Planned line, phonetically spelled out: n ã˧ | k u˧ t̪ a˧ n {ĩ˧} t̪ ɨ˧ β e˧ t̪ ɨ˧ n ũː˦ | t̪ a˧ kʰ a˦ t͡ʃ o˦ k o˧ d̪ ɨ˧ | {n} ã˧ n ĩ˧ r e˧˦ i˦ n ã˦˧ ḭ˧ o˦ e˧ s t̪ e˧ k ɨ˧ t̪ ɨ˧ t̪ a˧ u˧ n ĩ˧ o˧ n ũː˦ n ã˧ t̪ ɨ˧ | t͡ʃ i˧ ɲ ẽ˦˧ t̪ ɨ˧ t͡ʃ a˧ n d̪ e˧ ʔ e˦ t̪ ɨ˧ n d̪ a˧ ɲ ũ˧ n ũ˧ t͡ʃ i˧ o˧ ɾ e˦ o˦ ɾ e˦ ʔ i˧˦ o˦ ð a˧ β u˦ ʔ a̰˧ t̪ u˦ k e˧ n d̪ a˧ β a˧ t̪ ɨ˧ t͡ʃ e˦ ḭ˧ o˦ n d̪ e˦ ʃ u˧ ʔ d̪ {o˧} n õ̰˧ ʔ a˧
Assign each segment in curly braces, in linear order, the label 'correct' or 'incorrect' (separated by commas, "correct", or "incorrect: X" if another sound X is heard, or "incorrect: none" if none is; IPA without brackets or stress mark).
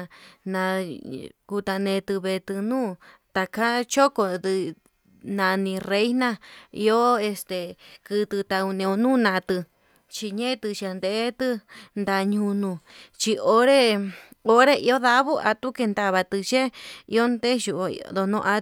incorrect: ẽ˧, correct, correct